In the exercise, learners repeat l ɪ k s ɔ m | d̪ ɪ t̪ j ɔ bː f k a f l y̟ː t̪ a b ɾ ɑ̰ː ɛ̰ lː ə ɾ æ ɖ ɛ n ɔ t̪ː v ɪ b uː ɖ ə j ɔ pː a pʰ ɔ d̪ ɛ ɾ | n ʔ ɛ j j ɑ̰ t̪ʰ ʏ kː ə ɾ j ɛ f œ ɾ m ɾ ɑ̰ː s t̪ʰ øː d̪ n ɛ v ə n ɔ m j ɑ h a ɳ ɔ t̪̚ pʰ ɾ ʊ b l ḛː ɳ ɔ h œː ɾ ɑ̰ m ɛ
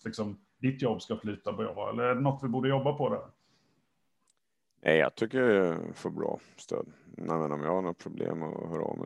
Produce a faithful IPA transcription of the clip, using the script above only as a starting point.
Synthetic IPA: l ɪ k s ɔ m | d̪ ɪ t̪ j ɔ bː s k a f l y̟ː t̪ a b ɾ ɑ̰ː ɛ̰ lː ə ɾ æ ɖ ɛ n ɔ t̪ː v ɪ b uː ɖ ə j ɔ bː a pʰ ɔ d̪ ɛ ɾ | n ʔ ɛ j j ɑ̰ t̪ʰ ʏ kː ə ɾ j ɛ f œ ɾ b ɾ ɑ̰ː s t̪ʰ øː d̪ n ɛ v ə n ɔ m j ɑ h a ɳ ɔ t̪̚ pʰ ɾ ʊ b l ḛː m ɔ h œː ɾ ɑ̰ m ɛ